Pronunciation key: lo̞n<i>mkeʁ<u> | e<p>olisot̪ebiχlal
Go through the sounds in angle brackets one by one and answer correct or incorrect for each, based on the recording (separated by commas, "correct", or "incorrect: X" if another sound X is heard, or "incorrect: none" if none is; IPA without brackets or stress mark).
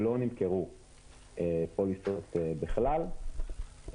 correct, correct, correct